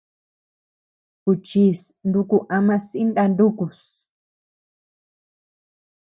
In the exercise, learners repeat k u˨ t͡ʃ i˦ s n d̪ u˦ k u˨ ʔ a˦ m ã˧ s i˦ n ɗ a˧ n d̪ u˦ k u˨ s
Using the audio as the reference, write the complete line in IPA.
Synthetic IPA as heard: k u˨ t͡ʃ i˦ s n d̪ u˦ k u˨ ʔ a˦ m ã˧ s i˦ n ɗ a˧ n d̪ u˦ k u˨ s

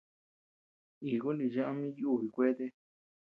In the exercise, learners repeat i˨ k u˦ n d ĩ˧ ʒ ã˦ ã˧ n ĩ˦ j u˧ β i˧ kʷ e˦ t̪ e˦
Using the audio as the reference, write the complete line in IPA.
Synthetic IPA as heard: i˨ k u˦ n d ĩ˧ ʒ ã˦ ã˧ m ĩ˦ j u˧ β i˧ kʷ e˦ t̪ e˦

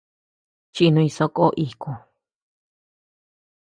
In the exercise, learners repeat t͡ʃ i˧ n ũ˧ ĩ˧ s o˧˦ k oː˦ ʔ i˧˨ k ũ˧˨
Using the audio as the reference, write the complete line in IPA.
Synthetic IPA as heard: t͡ʃ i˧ n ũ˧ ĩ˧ s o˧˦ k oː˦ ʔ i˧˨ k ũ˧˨

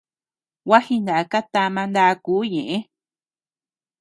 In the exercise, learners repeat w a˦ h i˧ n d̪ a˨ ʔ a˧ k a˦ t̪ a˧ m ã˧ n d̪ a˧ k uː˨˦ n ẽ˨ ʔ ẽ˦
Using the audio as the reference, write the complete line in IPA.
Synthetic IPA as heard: w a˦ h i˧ n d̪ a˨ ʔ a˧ k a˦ t̪ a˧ m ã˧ n d̪ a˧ k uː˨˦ ɲ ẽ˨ ʔ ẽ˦

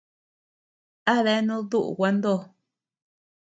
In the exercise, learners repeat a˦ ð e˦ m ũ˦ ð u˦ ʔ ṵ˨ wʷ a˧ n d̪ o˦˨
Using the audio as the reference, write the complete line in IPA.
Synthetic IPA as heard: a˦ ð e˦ n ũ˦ ð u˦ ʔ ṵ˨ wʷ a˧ n d̪ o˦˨

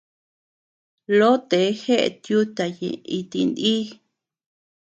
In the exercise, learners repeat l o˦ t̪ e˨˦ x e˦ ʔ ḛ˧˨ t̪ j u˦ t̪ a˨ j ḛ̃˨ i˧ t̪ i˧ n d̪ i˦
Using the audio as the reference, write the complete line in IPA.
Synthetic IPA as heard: l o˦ t̪ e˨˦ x e˦ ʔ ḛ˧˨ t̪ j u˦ t̪ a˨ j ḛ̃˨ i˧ t̪ i˧ n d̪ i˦

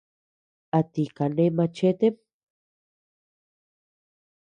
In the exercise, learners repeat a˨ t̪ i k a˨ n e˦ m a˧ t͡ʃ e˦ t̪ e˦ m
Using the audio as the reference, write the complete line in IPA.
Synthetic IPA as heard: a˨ t̪ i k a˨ n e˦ m a˧ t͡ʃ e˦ t̪ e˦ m

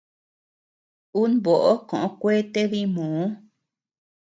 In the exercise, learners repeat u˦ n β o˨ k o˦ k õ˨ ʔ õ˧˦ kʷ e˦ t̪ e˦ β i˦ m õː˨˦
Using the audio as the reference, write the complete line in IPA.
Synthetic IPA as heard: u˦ n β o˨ ʔ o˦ k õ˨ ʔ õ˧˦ kʷ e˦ t̪ e˦ β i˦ m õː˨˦

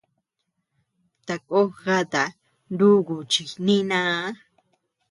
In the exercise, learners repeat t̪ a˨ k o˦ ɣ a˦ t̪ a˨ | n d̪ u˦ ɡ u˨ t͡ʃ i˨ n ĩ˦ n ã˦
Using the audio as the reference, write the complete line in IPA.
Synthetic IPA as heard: t̪ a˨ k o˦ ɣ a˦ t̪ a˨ | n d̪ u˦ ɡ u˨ t͡ʃ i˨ n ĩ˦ n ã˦

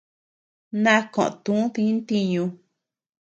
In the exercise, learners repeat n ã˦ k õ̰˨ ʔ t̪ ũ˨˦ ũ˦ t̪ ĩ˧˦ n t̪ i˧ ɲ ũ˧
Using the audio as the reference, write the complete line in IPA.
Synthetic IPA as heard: n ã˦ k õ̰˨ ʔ t̪ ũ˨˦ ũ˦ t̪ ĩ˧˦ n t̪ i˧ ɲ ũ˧

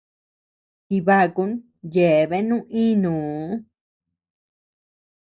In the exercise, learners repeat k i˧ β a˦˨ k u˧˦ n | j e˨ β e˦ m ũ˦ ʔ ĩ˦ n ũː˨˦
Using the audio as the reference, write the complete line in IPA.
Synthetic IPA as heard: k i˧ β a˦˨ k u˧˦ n | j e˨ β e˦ n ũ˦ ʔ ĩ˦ n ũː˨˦

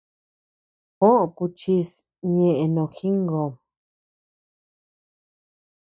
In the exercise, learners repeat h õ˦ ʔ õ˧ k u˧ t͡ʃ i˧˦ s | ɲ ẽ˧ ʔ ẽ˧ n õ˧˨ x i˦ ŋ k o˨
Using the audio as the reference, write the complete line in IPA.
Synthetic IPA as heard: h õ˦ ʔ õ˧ k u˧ t͡ʃ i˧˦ s | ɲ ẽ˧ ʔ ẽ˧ n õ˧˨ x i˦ ŋ ɡ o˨

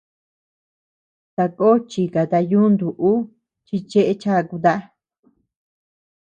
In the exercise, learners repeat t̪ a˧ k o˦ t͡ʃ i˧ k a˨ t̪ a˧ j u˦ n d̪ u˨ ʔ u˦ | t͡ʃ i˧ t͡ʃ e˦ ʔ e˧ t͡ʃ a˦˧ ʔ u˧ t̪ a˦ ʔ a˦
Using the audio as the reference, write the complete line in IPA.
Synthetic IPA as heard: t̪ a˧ k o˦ t͡ʃ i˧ k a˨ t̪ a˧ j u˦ n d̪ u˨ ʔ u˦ | t͡ʃ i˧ t͡ʃ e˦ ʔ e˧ t͡ʃ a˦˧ k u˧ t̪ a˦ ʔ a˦

